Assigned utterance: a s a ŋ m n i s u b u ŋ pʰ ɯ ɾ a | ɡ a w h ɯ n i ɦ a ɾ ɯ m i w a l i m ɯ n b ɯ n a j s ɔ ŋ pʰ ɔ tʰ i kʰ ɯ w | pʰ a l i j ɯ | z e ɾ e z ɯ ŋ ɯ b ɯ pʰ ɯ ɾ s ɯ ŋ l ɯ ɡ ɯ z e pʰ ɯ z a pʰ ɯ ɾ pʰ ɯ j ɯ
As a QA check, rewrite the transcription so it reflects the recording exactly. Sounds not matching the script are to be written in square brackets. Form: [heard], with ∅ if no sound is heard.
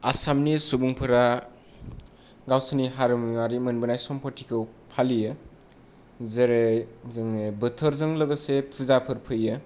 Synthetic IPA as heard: a s a [∅] m n i s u b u ŋ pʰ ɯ ɾ a | ɡ a w [s] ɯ n i ɦ a ɾ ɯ m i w a [ɾ] i m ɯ n b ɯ n a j s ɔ [m] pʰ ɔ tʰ i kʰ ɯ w | pʰ a l i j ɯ | z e ɾ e z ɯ ŋ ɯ b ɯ [tʰ] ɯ ɾ [z] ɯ ŋ l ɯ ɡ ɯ [s] e pʰ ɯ z a pʰ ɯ ɾ pʰ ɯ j ɯ